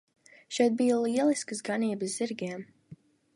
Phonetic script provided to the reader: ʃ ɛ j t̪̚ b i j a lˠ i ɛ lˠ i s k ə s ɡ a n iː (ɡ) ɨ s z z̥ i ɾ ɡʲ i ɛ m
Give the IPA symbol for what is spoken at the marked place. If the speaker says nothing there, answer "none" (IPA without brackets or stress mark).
b